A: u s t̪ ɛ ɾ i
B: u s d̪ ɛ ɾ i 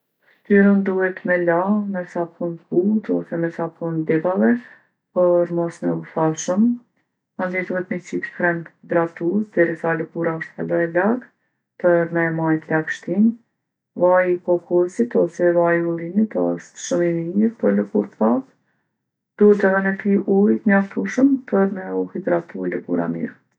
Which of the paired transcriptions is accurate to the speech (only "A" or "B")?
B